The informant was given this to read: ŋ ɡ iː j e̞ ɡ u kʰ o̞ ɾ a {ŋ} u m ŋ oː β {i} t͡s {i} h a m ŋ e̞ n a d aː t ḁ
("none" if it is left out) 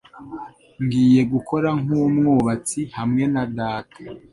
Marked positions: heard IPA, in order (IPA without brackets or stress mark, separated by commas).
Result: ŋ, a, i